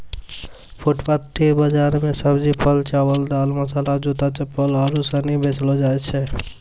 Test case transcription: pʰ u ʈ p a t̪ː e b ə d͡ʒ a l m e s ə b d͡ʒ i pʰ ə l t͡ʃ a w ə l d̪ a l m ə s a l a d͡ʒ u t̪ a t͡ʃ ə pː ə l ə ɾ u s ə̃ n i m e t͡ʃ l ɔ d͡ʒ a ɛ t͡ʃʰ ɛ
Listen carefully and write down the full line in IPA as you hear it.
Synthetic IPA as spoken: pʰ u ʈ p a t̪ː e b ə d͡ʒ a ɾ m e s ə b d͡ʒ i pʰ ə l t͡ʃ a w ə l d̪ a l m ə s a l a d͡ʒ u t̪ a t͡ʃ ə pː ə l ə ɾ u s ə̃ n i b e t͡ʃ l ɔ d͡ʒ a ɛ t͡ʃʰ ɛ